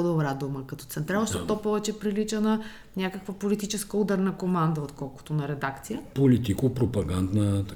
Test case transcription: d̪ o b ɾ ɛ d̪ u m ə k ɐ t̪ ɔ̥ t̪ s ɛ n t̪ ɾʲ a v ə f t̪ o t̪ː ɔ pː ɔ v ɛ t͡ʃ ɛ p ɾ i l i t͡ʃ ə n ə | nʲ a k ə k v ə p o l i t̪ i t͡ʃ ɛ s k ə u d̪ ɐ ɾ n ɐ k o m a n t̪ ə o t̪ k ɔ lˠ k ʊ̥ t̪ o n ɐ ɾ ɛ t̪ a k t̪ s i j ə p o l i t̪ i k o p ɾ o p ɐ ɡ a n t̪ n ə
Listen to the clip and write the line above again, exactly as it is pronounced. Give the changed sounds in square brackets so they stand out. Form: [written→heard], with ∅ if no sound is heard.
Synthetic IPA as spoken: d̪ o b ɾ [ɛ→a] d̪ u m ə k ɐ t̪ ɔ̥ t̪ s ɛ n t̪ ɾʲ a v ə [f→ʃ] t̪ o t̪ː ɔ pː ɔ v ɛ t͡ʃ ɛ p ɾ i l i t͡ʃ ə n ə | nʲ a k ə k v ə p o l i t̪ i t͡ʃ ɛ s k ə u d̪ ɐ ɾ n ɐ k o m a n [t̪→d̪] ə o t̪ k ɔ lˠ k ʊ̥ t̪ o n ɐ ɾ ɛ [t̪→d̪] a k t̪ s i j ə p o l i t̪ i k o p ɾ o p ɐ ɡ a n [t̪→d̪] n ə